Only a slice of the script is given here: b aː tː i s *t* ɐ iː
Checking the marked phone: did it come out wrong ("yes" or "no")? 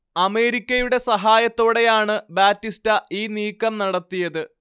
no